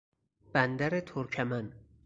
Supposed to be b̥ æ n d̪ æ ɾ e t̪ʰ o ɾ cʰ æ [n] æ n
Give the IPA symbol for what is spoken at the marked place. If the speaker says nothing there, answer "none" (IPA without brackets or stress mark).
m